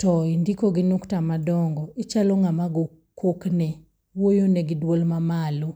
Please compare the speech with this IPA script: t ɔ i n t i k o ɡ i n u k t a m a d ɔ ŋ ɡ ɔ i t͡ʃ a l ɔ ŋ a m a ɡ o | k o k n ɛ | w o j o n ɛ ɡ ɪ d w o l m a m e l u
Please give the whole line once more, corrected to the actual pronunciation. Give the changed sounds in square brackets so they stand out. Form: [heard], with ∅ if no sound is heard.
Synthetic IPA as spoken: t ɔ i n [d] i k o ɡ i n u k t a m a d ɔ ŋ ɡ ɔ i t͡ʃ a l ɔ ŋ a m a ɡ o | k o k n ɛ | w o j o n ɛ ɡ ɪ d w o l m a m [a] l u